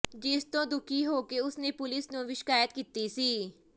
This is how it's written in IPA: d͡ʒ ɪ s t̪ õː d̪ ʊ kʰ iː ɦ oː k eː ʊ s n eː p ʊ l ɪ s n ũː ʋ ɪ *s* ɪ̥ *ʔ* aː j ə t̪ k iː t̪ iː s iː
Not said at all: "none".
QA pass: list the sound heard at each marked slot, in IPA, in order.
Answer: ʃ, k

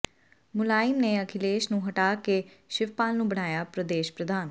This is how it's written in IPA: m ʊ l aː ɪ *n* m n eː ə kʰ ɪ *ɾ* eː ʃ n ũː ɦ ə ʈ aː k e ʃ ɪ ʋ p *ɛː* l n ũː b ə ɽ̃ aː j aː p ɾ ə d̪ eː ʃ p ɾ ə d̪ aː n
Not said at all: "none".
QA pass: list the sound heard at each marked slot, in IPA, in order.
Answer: none, l, aː

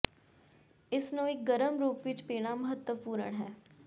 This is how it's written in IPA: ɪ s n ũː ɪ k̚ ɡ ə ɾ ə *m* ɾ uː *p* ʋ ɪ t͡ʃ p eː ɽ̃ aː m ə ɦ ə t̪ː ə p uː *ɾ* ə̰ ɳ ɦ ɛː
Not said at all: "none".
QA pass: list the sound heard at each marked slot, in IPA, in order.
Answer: m, p, ɾ

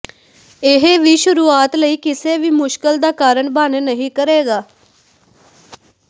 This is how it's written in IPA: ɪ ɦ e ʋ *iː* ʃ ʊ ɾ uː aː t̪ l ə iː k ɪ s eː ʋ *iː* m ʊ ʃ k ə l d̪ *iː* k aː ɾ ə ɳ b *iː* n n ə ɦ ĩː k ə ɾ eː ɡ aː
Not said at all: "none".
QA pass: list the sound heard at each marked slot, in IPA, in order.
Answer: iː, iː, aː, aː

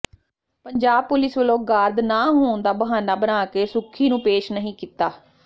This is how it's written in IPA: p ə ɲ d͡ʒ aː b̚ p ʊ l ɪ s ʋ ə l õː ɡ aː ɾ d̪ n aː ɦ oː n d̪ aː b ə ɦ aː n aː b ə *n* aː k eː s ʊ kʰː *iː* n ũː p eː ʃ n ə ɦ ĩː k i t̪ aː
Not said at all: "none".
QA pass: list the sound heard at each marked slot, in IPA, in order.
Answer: n, iː

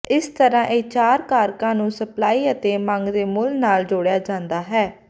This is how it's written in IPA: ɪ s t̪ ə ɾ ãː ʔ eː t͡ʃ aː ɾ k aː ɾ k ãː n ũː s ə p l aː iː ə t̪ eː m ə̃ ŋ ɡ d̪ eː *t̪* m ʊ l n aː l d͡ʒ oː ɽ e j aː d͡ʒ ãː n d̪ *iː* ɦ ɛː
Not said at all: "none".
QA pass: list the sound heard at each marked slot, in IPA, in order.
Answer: none, aː

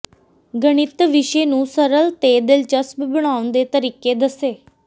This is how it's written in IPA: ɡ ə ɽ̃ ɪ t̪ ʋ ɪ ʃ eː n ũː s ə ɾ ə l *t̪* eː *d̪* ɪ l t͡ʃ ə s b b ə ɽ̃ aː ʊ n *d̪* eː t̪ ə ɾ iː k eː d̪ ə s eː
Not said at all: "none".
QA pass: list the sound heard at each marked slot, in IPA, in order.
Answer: t̪, d̪, d̪

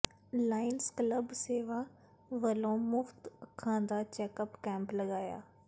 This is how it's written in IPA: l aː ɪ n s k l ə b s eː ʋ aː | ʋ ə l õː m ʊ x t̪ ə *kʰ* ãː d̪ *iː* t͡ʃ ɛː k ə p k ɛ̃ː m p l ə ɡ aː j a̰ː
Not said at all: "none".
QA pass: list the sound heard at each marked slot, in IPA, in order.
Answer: kʰ, aː

